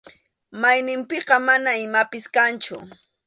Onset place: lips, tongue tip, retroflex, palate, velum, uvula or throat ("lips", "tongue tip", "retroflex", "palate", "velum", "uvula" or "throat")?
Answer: lips